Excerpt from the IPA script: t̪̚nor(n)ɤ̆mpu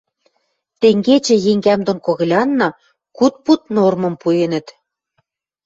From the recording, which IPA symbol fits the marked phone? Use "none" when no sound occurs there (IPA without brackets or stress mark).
m